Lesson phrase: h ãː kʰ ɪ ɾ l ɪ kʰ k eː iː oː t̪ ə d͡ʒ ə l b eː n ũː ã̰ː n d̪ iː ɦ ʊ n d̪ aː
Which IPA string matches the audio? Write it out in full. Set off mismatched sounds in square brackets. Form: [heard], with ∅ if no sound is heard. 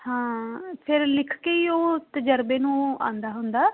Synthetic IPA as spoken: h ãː [pʰ] ɪ ɾ l ɪ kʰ k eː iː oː t̪ ə d͡ʒ ə [ɾ] b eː n ũː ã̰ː n d̪ [aː] ɦ ʊ n d̪ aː

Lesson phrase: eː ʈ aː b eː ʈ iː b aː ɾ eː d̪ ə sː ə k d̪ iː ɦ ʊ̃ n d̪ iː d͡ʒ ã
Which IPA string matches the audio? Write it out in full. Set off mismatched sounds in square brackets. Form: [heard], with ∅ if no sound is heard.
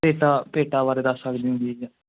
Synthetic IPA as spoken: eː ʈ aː [p] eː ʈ [aː] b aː ɾ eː d̪ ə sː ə k d̪ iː ɦ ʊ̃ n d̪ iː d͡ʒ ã

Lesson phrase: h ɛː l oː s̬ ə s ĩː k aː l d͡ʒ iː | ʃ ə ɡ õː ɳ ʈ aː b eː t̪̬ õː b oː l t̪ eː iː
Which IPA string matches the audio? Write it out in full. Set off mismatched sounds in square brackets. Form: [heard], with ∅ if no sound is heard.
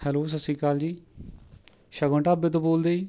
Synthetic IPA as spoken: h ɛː l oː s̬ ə s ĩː k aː l d͡ʒ iː | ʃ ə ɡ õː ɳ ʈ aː b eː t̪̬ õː b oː l [d̪] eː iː

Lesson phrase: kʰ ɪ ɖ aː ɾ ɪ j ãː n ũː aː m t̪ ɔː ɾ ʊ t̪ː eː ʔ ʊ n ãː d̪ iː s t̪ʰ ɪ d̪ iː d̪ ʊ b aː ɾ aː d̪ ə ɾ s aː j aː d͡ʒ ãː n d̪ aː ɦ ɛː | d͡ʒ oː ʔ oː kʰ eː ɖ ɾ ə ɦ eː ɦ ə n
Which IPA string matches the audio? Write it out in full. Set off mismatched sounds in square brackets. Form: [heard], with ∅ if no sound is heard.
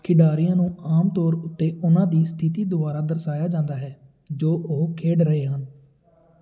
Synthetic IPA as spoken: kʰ ɪ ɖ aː ɾ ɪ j ãː n ũː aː m t̪ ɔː ɾ ʊ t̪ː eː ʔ ʊ n ãː d̪ iː s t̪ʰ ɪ [t̪] iː d̪ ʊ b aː ɾ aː d̪ ə ɾ s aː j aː d͡ʒ ãː n d̪ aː ɦ ɛː | d͡ʒ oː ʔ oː kʰ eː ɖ ɾ ə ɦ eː ɦ ə n

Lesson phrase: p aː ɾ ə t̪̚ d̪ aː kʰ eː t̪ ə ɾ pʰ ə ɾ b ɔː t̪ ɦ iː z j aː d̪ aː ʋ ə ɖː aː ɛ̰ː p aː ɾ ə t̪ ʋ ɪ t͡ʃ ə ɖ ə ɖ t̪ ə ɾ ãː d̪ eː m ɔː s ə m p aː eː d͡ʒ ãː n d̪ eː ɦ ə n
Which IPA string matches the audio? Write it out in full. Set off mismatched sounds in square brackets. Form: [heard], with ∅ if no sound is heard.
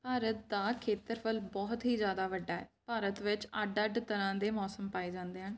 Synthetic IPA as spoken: p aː ɾ ə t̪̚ d̪ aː kʰ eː t̪ ə ɾ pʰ ə [l] b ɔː t̪ ɦ iː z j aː d̪ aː ʋ ə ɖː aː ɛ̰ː p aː ɾ ə t̪ ʋ ɪ t͡ʃ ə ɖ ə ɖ t̪ ə ɾ ãː d̪ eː m ɔː s ə m p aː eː d͡ʒ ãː n d̪ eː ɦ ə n

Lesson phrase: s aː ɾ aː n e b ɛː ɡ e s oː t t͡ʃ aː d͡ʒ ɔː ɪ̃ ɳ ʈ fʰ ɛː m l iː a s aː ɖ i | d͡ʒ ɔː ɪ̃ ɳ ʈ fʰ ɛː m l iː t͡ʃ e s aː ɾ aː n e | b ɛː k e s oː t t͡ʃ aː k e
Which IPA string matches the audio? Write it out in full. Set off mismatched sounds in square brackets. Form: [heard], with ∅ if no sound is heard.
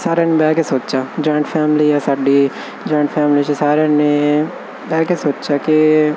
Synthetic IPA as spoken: s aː ɾ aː n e b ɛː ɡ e s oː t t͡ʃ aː d͡ʒ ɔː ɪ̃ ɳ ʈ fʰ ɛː m l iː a s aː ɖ i | d͡ʒ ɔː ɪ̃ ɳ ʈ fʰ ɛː m l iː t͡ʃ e s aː ɾ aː n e | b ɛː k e s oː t t͡ʃ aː k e

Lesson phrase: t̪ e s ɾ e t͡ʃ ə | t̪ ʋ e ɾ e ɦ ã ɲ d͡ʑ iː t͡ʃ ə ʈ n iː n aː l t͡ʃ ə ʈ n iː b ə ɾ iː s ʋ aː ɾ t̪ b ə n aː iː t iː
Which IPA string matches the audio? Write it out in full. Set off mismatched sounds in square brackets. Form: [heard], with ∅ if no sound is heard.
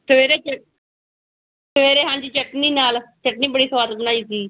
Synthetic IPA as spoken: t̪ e [∅] ɾ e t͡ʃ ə | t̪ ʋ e ɾ e ɦ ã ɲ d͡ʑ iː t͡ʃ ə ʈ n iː n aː l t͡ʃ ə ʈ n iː b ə [ɽ] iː s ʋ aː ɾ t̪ b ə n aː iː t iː

